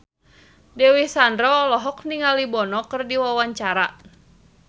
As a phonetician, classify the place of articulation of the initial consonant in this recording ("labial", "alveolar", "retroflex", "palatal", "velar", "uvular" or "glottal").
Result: alveolar